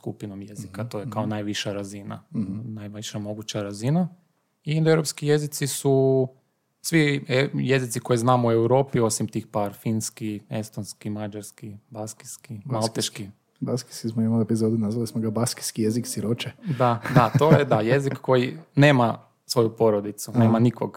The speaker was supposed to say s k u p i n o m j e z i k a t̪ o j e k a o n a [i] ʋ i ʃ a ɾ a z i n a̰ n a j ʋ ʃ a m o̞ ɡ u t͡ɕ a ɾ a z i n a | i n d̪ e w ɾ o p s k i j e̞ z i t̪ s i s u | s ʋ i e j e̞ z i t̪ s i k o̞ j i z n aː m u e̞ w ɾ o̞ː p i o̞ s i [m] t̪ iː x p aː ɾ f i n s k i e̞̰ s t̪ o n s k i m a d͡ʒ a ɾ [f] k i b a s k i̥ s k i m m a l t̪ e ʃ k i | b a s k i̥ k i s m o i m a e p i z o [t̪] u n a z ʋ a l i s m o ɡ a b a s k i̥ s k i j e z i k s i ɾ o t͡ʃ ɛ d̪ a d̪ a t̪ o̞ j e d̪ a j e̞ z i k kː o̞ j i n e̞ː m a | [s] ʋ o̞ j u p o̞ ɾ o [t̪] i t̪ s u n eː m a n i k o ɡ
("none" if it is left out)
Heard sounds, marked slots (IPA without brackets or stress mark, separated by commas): j, m, s, d̪, s, d̪